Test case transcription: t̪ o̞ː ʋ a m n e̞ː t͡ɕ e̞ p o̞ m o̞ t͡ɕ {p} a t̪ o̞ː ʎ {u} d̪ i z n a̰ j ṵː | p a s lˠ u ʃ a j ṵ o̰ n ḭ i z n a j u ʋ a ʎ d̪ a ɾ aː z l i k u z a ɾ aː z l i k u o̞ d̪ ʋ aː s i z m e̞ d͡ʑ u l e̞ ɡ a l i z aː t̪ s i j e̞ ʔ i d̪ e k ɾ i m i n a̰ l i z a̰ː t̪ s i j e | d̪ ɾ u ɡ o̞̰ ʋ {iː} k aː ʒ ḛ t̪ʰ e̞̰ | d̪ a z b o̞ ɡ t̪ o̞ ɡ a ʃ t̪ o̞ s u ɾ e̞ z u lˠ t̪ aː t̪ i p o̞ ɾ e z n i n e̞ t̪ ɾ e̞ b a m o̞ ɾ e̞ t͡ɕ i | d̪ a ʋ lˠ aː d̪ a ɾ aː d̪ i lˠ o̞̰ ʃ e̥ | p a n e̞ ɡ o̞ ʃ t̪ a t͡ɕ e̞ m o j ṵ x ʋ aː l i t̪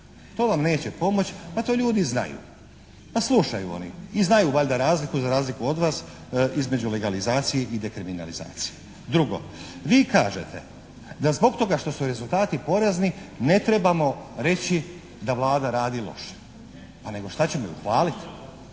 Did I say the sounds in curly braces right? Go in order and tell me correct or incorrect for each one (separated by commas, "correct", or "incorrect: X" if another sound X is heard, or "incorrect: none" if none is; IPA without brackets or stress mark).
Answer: correct, incorrect: uː, correct